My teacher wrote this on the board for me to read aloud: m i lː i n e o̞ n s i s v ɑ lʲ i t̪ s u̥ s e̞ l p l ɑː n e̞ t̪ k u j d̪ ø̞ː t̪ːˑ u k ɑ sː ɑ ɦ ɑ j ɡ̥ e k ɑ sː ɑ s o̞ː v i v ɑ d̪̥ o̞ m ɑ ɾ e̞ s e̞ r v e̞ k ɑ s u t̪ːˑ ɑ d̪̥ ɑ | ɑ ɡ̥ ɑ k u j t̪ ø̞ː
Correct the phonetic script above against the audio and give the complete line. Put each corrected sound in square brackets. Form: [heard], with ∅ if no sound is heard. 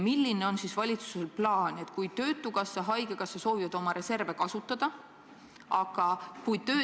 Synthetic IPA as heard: m i lː i n e o̞ n s i s v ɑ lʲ i t̪ s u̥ s e̞ l p l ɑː n e̞ t̪ k u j [t̪] ø̞ː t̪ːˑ u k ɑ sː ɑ ɦ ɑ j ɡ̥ e k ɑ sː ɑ s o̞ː v i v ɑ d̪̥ o̞ m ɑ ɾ e̞ s e̞ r v e̞ k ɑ s u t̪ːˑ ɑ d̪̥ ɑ | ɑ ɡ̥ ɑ k u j t̪ ø̞ː